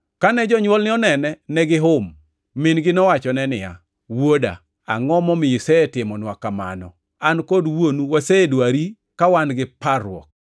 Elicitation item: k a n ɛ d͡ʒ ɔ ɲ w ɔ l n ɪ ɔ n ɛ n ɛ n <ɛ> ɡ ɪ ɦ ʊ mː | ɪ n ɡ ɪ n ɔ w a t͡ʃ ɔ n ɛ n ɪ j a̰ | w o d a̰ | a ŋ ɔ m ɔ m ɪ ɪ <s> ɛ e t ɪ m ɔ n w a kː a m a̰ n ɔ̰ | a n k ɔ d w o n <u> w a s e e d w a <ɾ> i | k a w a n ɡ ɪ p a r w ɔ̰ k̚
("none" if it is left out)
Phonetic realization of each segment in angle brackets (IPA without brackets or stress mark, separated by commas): ɛ, s, u, ɾ